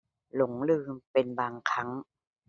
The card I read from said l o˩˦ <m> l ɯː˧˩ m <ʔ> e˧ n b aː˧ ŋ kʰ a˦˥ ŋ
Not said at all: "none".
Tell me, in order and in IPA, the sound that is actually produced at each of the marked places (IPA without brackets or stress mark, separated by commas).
ŋ, p